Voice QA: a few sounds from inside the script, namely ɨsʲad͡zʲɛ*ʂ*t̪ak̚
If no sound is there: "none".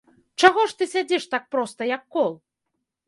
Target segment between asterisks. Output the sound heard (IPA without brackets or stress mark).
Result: ʂ